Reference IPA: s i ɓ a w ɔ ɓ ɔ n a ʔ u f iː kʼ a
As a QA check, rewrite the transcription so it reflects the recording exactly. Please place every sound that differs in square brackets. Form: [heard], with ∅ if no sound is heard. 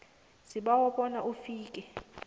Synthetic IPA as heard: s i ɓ a w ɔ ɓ ɔ n a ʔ u f iː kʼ [ɛ]

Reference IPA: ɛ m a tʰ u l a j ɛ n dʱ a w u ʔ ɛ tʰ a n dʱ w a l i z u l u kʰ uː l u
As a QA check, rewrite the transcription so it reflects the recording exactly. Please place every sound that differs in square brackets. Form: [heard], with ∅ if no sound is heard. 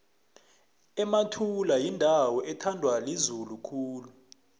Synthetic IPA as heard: ɛ m a tʰ u l a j [i] n dʱ a w [ɔ] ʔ ɛ tʰ a n dʱ w a l i z u l u kʰ uː l u

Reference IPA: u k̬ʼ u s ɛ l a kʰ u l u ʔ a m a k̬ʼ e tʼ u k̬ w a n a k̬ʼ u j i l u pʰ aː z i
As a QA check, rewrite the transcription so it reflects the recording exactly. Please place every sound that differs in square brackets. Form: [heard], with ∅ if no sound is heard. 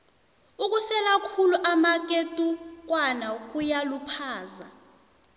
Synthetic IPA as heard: u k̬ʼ u s ɛ l a kʰ u l u ʔ a m a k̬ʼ e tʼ u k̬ w a n a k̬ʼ u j [a] l u pʰ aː z [a]

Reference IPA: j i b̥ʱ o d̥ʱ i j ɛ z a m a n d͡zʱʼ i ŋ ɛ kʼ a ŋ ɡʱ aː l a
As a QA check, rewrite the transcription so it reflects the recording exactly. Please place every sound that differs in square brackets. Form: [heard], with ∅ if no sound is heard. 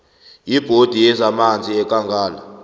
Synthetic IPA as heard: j i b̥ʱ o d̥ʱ i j ɛ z a m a n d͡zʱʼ i [∅] ɛ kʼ a ŋ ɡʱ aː l a

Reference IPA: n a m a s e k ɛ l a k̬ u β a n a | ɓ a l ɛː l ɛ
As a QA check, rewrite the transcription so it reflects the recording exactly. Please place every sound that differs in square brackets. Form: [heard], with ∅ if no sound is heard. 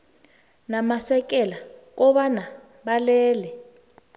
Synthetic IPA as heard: n a m a s [ɛ] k ɛ l a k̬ [ɔ] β a n a | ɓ a l ɛː l ɛ

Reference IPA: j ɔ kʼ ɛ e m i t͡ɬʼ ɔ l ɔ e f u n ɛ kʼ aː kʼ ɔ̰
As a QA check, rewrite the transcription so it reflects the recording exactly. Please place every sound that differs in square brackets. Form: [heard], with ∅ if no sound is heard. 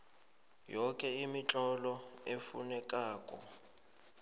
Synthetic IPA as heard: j ɔ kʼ ɛ [i] m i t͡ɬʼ ɔ l ɔ e f u n ɛ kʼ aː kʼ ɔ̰

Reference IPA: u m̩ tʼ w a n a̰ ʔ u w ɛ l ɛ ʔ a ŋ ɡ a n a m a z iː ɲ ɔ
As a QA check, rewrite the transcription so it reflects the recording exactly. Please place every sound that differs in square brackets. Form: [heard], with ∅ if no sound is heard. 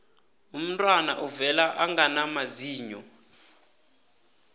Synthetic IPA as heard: u m̩ tʼ w a n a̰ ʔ u [v] ɛ l [a] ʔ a ŋ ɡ a n a m a z iː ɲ ɔ

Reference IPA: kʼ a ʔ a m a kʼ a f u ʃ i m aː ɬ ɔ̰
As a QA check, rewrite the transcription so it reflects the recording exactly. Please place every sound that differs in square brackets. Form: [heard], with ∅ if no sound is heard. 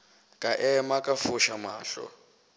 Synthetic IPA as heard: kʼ a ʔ [ɛ] m a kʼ a f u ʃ [a] m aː ɬ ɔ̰

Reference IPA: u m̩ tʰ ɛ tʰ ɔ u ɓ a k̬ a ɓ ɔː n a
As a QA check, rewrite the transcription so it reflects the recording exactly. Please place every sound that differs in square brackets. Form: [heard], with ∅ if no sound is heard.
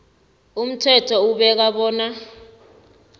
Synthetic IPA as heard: u m̩ tʰ ɛ tʰ ɔ u ɓ [ɛ] k̬ a ɓ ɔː n a

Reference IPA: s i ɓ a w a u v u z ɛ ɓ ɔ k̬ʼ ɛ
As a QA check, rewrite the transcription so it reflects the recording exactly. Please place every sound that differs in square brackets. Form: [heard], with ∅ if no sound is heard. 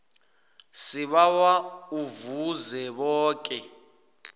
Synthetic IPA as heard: s i ɓ a w a u v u z ɛ ɓ [ɔː] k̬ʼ ɛ

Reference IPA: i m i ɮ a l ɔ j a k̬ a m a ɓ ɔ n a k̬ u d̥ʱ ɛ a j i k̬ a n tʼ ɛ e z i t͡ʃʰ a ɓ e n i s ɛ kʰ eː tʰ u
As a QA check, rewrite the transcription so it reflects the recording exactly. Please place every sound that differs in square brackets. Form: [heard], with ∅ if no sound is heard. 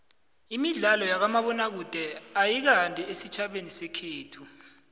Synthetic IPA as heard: i m i ɮ a l ɔ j a k̬ a m a ɓ ɔ n a k̬ u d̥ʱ ɛ a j i k̬ a n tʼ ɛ e [s] i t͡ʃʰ a ɓ e n i s ɛ kʰ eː tʰ u

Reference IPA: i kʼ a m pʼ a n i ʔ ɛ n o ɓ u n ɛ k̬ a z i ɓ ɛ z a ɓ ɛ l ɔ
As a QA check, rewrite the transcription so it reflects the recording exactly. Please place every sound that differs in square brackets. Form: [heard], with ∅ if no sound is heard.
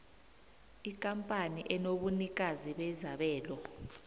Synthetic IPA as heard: i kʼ a m pʼ a n i ʔ ɛ n o ɓ u n [i] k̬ a z i ɓ ɛ z a ɓ [ɛː] l ɔ

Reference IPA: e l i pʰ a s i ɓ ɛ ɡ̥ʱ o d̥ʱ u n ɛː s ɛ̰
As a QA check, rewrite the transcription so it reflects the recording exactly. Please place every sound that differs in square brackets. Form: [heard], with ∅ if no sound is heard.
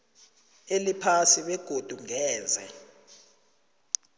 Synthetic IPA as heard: e l i pʰ a s i ɓ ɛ ɡ̥ʱ o d̥ʱ u [ŋ] ɛː [z] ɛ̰

